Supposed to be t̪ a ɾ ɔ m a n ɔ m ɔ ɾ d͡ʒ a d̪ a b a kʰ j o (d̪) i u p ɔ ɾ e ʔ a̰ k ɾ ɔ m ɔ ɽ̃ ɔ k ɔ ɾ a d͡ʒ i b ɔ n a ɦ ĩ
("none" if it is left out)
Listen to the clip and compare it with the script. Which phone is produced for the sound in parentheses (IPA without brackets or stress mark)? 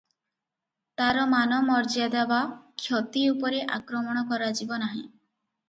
t̪